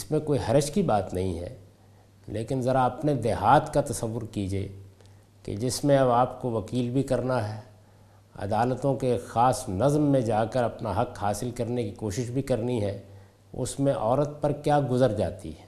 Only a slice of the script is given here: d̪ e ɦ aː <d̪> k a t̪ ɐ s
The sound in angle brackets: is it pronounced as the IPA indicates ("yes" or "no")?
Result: no